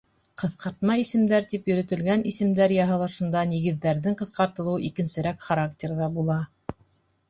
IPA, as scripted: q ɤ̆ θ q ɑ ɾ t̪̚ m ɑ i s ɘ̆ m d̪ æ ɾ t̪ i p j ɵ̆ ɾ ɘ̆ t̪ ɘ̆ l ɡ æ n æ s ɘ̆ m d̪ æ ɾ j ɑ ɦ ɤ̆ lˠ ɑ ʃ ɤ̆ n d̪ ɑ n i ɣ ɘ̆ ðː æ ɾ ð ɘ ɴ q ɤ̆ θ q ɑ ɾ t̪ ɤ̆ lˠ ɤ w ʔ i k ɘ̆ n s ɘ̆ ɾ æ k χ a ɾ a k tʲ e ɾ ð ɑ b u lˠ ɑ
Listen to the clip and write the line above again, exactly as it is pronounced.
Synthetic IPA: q ɤ̆ θ q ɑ ɾ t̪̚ m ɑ i s ɘ̆ m d̪ æ ɾ t̪ i p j ɵ̆ ɾ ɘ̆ t̪ ɘ̆ l ɡ æ n i s ɘ̆ m d̪ æ ɾ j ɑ ɦ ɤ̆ lˠ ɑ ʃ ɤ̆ n d̪ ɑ n i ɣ ɘ̆ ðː æ ɾ ð ɘ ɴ q ɤ̆ θ q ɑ ɾ t̪ ɤ̆ lˠ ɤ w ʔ i k ɘ̆ n s ɘ̆ ɾ æ k χ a ɾ a k tʲ e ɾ ð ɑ b u lˠ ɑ